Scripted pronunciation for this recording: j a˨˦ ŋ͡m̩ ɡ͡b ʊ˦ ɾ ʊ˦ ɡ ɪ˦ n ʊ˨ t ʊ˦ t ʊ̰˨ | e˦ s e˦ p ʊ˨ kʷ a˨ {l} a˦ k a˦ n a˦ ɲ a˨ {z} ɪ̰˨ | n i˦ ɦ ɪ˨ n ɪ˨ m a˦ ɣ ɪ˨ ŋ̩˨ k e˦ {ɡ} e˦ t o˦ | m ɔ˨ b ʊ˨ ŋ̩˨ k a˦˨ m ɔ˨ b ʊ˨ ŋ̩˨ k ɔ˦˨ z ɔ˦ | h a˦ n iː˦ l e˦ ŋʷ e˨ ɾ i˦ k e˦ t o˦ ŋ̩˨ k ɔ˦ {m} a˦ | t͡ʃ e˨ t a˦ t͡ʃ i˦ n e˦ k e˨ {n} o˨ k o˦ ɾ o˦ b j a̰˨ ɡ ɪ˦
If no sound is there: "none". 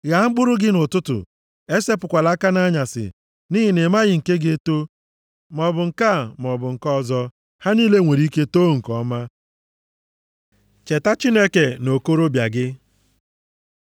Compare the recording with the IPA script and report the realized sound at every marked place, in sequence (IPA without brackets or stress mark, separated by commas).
l, s, ɡ, m, n